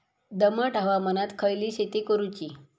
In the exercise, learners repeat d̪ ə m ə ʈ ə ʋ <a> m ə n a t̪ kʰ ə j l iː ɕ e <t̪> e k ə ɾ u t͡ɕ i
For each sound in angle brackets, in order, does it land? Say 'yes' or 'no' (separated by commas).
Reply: yes, yes